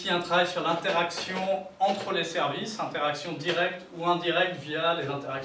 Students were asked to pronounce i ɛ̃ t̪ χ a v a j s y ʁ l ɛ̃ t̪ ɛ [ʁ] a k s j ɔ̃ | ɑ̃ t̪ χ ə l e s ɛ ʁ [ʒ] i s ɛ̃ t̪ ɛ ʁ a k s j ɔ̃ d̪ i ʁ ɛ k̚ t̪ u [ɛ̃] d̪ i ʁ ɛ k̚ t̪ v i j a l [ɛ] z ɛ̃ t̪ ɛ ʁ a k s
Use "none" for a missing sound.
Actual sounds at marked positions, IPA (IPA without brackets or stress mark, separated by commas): ʁ, v, ɛ̃, e